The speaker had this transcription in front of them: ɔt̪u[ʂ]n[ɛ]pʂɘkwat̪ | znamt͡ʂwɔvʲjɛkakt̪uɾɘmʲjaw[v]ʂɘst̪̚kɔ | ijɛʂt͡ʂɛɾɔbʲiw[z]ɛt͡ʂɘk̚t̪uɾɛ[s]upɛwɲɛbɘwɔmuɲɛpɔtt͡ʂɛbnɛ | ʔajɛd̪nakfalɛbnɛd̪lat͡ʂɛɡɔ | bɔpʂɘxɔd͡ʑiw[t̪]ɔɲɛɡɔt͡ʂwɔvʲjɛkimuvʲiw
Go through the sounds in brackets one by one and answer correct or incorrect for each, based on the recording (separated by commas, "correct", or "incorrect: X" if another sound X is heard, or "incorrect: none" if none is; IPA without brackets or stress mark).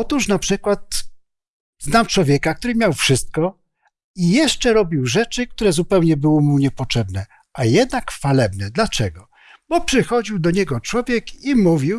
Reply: correct, incorrect: a, incorrect: f, incorrect: ʐ, incorrect: z, incorrect: d̪